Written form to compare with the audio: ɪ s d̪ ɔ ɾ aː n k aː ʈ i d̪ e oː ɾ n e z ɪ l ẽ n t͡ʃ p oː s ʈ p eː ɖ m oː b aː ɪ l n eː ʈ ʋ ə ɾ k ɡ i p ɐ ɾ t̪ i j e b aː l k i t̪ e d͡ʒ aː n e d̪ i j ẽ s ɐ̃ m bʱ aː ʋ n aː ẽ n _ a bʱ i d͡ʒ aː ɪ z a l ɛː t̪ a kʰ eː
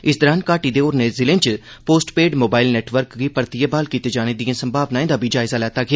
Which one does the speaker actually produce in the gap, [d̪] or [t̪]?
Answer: d̪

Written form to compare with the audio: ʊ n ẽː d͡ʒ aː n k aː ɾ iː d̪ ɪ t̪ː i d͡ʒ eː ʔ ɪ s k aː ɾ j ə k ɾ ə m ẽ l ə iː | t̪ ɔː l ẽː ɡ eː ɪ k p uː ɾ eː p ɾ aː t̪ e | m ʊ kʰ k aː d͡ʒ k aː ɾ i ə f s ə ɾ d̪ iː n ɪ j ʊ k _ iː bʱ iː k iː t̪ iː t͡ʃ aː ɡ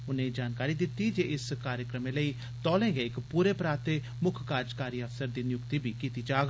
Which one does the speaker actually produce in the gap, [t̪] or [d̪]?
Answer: t̪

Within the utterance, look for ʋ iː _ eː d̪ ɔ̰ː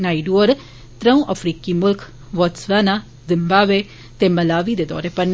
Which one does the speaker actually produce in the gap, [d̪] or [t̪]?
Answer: d̪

